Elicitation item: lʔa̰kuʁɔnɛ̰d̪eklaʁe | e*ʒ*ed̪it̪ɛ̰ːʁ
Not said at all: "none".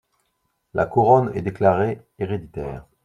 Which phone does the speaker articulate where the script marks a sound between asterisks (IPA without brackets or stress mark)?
ʁ